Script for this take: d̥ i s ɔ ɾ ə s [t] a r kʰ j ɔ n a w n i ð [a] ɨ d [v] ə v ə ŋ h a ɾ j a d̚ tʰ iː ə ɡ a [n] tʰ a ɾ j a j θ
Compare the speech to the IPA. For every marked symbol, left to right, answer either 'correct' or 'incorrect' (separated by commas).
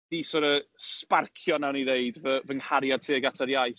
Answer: incorrect, incorrect, correct, incorrect